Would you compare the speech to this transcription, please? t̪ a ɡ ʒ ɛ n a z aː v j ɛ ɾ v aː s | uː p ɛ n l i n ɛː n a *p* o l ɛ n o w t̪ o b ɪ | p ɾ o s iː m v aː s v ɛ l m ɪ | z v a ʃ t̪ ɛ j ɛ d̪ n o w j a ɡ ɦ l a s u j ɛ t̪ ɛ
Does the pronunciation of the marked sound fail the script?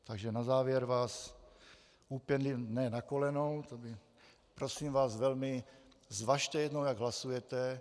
yes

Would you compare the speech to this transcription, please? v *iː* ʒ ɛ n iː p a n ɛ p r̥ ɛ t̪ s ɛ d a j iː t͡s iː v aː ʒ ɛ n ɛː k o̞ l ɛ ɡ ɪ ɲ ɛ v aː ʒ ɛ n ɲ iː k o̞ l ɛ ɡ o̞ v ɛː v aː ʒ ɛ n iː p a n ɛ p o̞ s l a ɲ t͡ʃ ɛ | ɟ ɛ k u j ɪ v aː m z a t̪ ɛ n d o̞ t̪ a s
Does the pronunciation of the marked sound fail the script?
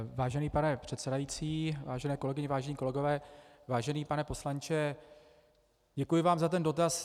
yes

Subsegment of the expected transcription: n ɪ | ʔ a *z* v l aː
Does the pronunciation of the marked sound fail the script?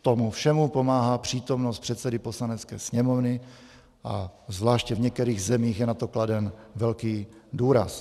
no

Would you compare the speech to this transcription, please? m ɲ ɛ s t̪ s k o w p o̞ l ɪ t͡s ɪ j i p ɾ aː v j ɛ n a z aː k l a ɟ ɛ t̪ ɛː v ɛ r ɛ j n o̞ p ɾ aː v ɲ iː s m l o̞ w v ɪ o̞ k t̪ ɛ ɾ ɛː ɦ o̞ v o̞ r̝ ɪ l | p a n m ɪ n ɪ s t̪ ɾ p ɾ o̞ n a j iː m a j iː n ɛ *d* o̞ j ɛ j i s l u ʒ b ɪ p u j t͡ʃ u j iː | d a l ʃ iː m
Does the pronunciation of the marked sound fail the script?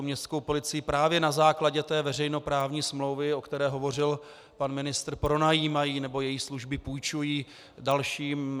yes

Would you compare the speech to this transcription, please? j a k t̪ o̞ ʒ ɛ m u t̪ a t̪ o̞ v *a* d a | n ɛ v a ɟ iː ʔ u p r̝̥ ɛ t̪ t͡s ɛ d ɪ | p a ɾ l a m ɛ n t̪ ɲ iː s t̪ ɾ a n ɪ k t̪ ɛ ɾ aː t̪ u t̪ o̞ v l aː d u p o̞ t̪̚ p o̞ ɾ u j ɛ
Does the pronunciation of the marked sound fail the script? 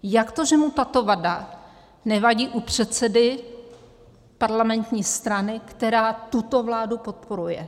no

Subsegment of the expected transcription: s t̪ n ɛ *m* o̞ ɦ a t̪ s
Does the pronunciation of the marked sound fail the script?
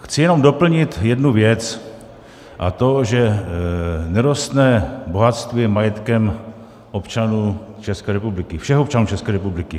yes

